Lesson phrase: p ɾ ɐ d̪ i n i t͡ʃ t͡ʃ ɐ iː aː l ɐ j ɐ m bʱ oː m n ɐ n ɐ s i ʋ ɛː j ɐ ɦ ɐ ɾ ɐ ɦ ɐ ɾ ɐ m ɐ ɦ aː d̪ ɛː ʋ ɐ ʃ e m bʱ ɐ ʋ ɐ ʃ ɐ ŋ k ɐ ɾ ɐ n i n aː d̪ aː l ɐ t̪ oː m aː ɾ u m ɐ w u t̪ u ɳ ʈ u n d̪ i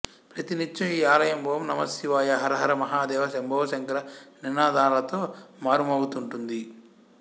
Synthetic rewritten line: p ɾ ɐ t̪ i n i t͡ʃ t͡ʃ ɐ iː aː l ɐ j ɐ m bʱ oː m n ɐ m ɐ s i ʋ aː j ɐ ɦ ɐ ɾ ɐ ɦ ɐ ɾ ɐ m ɐ ɦ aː d̪ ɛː ʋ ɐ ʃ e m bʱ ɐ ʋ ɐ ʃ ɐ ŋ k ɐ ɾ ɐ n i n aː d̪ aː l ɐ t̪ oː m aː ɾ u m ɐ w u t̪ u ɳ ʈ u n d̪ i